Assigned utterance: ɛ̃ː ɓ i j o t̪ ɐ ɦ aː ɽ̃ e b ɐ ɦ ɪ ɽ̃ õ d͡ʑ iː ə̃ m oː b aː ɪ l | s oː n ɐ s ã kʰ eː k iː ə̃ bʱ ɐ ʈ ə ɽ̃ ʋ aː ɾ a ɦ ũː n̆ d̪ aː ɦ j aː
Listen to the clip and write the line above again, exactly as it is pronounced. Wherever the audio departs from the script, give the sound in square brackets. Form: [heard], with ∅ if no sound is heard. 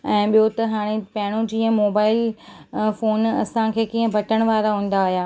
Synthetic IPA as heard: ɛ̃ː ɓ i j o t̪ ɐ ɦ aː ɽ̃ e [p] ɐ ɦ ɪ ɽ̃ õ d͡ʑ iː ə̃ m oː b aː ɪ l | [f] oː n ɐ s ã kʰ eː k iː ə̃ bʱ ɐ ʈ ə ɽ̃ ʋ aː ɾ a ɦ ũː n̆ d̪ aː ɦ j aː